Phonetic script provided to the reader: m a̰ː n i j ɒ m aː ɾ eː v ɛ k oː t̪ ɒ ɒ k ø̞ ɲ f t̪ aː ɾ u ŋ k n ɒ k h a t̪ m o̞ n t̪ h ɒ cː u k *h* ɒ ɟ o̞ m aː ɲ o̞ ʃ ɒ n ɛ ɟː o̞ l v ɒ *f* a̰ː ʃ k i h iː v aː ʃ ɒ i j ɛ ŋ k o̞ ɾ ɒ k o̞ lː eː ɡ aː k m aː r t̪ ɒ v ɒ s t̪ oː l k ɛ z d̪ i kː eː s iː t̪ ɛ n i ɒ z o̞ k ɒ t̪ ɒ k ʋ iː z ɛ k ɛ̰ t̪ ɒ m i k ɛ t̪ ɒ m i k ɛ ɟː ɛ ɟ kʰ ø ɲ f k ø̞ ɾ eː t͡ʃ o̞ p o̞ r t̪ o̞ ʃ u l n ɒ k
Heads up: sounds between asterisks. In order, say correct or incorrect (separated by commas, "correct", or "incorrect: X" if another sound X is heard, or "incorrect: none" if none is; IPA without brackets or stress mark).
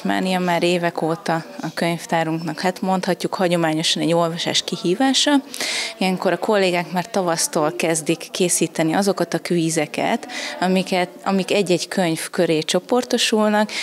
correct, incorrect: ʃ